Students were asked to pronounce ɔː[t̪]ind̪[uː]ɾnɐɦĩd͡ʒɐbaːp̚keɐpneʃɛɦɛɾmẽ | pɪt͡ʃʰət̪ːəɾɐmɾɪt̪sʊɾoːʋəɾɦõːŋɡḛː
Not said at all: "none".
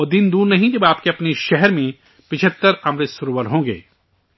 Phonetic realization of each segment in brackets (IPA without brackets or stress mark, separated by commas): d̪, uː